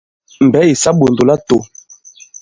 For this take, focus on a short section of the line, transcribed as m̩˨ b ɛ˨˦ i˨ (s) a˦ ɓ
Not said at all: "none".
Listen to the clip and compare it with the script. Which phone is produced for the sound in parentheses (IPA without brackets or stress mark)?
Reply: s